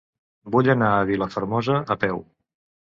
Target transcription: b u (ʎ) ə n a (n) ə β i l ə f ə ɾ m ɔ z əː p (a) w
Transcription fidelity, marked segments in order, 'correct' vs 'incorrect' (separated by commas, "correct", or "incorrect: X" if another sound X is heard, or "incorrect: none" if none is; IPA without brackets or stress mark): correct, incorrect: none, incorrect: ɛ